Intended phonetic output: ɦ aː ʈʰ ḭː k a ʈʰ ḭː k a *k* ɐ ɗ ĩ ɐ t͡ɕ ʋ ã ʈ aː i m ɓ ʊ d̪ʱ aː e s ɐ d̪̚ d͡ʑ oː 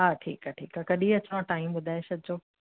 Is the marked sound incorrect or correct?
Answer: correct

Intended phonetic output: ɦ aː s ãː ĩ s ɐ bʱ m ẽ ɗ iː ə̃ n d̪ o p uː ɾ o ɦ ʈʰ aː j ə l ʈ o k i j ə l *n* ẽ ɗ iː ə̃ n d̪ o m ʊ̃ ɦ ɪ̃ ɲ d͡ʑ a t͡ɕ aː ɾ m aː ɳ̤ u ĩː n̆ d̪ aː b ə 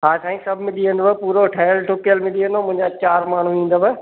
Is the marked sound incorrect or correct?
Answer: incorrect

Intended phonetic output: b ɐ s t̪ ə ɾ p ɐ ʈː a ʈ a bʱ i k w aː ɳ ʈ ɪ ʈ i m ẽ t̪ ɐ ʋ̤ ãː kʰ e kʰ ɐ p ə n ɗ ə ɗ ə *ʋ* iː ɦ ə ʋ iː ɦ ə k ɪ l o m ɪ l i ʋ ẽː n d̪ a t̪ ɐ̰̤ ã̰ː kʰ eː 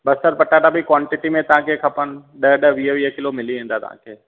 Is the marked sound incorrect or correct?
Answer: correct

